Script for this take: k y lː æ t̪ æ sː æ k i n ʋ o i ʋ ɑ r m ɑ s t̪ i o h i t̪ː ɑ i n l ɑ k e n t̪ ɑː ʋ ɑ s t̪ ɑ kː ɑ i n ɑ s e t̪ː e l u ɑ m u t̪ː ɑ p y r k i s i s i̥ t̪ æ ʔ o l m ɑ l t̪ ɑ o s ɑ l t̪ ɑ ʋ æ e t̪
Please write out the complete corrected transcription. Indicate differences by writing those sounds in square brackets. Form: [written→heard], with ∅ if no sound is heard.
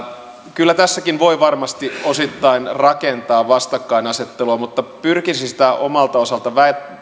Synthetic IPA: k y lː æ t̪ æ sː æ k i n ʋ o i ʋ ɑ r m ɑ s t̪ i o [h→s] i t̪ː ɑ i n [l→r] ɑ k e n t̪ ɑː ʋ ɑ s t̪ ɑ kː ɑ i n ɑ s e t̪ː e l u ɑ m u t̪ː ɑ p y r k i s i s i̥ t̪ æ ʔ o [l→∅] m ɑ l t̪ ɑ o s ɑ l t̪ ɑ ʋ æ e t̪